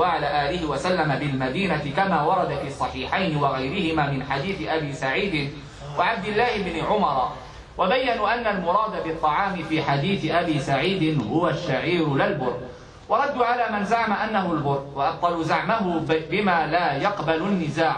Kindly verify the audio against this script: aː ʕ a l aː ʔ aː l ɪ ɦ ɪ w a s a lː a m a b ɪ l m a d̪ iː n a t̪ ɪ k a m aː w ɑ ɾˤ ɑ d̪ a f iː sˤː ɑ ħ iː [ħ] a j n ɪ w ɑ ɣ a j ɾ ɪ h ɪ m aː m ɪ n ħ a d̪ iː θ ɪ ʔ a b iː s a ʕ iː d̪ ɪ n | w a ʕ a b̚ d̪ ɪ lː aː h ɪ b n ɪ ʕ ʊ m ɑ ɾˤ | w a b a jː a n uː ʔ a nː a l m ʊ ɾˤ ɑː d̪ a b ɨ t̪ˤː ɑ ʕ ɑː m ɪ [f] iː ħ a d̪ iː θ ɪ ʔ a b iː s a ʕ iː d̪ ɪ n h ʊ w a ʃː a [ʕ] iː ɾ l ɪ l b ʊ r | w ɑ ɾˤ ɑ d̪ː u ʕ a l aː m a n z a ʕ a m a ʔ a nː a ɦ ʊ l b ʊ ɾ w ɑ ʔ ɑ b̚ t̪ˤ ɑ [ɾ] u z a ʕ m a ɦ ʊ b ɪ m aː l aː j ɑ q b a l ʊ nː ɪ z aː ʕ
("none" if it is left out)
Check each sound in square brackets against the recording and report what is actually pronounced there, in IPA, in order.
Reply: ħ, f, ʕ, l

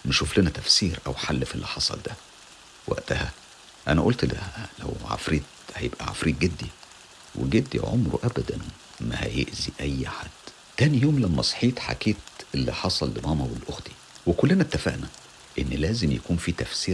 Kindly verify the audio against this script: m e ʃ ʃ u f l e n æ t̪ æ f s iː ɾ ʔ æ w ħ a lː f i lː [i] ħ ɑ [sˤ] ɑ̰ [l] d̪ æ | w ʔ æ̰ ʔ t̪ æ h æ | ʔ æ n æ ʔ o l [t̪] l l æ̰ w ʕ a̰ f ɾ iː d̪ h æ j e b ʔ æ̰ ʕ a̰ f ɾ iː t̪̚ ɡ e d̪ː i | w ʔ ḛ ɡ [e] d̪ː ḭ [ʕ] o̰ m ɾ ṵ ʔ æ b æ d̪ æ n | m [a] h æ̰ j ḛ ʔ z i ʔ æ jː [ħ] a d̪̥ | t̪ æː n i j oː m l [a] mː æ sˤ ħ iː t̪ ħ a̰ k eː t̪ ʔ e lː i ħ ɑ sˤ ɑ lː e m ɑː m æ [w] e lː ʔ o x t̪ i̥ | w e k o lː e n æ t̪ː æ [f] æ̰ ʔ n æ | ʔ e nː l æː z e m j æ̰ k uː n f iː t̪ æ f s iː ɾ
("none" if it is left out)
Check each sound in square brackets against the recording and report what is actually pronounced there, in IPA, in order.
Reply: i, sˤ, l, t̪, e, ʕ, æ, ħ, æ, w, f

